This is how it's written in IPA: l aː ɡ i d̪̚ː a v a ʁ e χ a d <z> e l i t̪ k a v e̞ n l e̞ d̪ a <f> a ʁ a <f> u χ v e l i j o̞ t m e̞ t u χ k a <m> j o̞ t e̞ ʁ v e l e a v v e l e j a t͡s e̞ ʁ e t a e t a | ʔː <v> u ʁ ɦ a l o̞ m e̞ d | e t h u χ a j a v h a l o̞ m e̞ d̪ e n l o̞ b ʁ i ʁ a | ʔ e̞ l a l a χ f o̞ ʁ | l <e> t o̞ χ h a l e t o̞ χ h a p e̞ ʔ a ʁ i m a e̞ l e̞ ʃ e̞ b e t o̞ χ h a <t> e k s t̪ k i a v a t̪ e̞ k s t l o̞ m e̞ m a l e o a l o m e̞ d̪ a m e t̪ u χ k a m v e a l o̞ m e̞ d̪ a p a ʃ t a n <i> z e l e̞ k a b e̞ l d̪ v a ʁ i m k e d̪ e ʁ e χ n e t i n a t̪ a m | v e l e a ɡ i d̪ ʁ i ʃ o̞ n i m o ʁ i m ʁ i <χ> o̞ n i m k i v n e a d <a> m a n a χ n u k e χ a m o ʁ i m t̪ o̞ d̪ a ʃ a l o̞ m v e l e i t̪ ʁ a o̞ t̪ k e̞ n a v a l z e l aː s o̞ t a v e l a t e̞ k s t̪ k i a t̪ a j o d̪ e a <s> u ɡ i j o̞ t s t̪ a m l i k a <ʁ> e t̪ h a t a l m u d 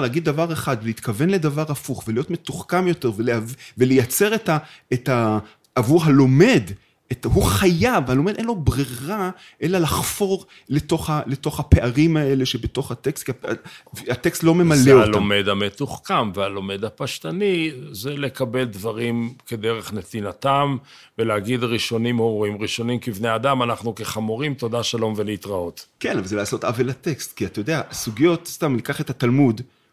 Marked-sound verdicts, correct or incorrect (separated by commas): incorrect, incorrect, correct, correct, correct, correct, correct, correct, incorrect, correct, correct, incorrect